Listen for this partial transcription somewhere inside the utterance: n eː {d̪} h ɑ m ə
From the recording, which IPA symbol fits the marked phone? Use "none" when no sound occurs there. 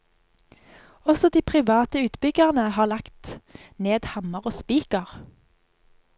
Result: d̪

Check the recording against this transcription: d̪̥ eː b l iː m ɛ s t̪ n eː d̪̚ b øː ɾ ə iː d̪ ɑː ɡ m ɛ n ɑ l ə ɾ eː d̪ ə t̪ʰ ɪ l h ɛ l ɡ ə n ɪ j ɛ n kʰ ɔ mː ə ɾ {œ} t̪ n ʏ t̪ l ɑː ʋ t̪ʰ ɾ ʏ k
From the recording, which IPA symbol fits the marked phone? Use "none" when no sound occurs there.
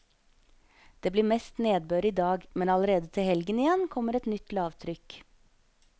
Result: ɛ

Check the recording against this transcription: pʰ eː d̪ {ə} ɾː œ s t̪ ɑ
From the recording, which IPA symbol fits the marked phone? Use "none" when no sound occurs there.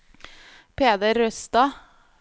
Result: ə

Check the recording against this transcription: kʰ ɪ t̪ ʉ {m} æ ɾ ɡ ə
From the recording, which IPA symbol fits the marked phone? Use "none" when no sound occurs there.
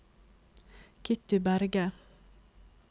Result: b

